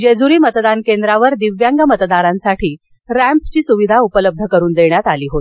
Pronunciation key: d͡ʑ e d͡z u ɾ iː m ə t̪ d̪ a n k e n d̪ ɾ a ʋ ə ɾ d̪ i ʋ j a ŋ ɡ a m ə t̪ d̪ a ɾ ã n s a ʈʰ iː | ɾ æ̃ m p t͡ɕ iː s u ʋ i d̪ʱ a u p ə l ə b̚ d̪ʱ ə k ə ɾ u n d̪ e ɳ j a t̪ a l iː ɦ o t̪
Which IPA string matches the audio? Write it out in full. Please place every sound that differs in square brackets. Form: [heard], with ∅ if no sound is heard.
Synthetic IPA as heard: d͡ʑ e d͡z u ɾ iː m ə t̪ d̪ a n k e n d̪ ɾ a ʋ ə ɾ d̪ i ʋ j a ŋ ɡ a m ə t̪ d̪ a ɾ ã n s a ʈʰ iː | ɾ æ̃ m p t͡ɕ iː s u ʋ i d̪ʱ a u p ə l ə b̚ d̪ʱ ə k ə ɾ [uː] n d̪ e ɳ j a t̪ a l iː ɦ o t̪